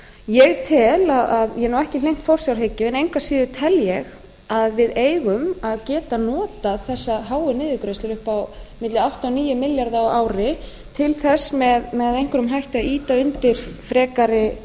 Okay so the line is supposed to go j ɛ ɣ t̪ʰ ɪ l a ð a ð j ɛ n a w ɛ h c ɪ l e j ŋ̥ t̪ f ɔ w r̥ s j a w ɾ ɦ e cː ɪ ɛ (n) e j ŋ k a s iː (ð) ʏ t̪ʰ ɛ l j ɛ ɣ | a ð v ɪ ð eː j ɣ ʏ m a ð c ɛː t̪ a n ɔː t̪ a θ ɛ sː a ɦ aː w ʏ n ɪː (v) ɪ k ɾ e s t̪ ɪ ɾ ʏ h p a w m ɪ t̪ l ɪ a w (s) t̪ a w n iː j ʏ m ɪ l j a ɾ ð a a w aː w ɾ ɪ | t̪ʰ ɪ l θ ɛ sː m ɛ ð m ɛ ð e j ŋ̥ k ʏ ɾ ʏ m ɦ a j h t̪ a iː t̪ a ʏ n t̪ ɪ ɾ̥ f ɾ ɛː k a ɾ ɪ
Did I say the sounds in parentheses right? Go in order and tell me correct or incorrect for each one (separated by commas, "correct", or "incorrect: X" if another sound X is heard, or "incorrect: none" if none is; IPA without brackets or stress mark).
correct, correct, incorrect: ð, incorrect: h